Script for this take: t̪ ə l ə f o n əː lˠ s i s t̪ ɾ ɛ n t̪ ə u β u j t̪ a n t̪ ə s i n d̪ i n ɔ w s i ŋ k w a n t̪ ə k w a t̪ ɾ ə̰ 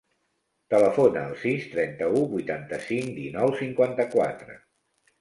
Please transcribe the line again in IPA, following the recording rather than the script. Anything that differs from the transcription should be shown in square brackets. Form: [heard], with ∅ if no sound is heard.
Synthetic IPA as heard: t̪ ə l ə f o n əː lˠ s i s t̪ ɾ ɛ n t̪ ə u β u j t̪ a n t̪ ə s i [ŋ] d̪ i n ɔ w s i ŋ k w a n t̪ ə k w a t̪ ɾ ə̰